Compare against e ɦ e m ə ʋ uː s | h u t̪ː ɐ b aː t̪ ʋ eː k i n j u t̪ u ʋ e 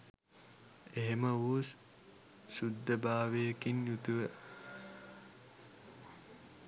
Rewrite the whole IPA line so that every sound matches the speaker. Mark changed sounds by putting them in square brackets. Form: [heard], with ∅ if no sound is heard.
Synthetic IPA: e ɦ e m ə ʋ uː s | [s] u [d̪ː] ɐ b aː [∅] ʋ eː k i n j u t̪ u ʋ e